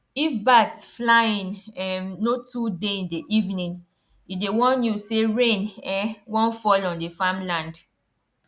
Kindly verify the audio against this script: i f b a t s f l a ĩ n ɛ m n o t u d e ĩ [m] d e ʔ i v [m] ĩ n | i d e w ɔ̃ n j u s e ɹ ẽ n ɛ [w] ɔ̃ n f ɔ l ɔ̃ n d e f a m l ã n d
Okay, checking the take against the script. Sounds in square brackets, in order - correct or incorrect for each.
incorrect: n, incorrect: n, correct

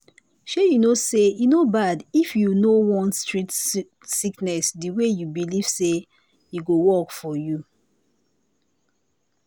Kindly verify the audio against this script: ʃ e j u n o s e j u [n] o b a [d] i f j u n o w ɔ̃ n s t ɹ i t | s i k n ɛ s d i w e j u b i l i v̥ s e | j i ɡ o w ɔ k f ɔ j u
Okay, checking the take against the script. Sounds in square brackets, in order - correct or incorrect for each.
correct, correct

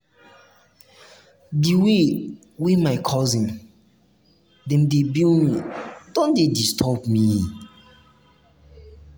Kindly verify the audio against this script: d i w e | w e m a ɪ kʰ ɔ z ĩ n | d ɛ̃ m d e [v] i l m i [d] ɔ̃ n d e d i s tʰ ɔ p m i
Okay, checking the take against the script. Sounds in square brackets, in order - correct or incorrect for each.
incorrect: b, correct

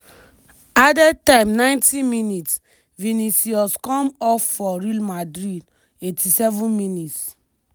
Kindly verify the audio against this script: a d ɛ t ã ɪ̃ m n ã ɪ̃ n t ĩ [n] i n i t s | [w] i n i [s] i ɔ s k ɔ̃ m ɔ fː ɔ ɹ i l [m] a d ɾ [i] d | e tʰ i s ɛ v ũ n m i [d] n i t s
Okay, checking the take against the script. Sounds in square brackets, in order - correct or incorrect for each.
incorrect: m, incorrect: v, correct, correct, correct, incorrect: none

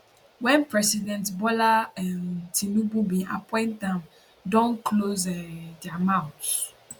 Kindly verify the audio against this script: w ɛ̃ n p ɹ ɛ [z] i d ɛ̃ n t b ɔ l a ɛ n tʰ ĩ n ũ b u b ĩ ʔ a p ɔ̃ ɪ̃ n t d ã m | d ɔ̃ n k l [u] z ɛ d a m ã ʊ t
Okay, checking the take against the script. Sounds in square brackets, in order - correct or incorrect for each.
incorrect: s, incorrect: o

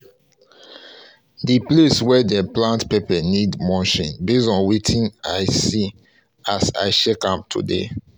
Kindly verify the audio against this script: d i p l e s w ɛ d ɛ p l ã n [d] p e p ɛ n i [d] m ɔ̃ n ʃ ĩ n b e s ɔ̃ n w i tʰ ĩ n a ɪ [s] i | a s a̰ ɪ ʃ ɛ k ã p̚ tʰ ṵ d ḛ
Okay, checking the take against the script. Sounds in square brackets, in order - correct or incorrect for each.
incorrect: t, correct, correct

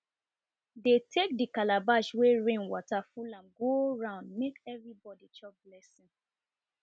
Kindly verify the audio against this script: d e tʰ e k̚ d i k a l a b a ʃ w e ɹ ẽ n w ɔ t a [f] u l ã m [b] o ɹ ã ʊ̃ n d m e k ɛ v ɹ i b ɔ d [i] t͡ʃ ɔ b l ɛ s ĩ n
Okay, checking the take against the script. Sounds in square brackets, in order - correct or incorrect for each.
correct, incorrect: ɡ, correct

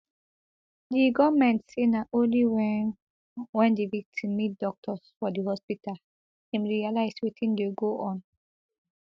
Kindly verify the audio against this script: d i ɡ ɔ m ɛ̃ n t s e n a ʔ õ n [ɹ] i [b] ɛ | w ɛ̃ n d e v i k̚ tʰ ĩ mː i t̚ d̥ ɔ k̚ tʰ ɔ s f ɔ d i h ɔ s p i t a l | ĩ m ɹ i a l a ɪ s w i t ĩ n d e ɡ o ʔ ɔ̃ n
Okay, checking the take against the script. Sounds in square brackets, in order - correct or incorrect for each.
incorrect: l, incorrect: w

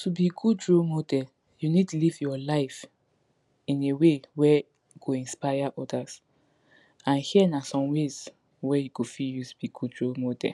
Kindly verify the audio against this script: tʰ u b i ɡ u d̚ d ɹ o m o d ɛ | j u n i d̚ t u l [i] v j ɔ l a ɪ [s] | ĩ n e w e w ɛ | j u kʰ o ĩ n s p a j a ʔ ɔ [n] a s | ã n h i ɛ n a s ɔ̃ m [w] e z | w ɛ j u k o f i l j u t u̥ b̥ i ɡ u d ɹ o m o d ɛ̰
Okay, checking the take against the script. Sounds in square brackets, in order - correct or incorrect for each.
correct, incorrect: f, incorrect: d, correct

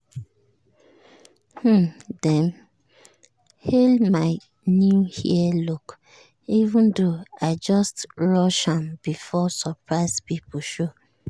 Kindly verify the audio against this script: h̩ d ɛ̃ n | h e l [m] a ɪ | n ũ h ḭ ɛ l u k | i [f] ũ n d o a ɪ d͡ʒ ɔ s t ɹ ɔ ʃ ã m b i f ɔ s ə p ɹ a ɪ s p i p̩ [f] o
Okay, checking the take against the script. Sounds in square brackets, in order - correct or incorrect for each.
correct, incorrect: v, incorrect: ʃ

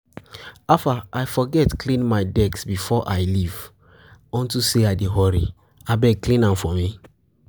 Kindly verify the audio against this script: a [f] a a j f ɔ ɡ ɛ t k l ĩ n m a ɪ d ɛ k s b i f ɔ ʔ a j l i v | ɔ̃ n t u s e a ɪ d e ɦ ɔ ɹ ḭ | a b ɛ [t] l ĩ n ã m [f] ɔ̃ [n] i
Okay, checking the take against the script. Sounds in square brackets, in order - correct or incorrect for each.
correct, incorrect: k, correct, incorrect: m

